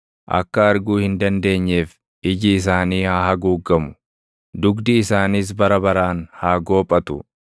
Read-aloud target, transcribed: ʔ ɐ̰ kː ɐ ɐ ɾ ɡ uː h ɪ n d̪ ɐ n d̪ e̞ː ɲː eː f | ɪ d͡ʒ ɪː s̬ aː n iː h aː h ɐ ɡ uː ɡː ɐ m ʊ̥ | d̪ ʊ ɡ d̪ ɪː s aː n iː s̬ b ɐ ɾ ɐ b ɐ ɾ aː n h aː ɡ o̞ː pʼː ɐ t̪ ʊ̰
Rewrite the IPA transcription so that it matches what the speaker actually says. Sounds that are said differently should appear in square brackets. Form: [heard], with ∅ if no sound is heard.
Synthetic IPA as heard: ʔ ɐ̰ kː ɐ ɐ ɾ ɡ uː h ɪ n d̪ ɐ n d̪ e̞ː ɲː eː f | ɪ d͡ʒ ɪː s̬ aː n iː h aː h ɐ ɡ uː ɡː ɐ m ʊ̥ | d̪ ʊ ɡ d̪ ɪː s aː n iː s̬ b ɐ ɾ ɐ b ɐ ɾ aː n h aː ɡ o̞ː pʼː ɐ t̪ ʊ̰